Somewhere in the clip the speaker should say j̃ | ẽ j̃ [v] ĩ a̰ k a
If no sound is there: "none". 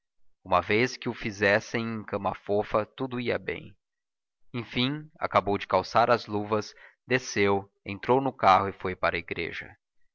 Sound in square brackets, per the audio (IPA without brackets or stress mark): f